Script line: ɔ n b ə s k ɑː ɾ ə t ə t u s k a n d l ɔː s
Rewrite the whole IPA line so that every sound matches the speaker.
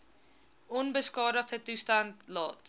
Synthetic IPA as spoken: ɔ n b ə s k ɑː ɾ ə t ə t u s t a n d l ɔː t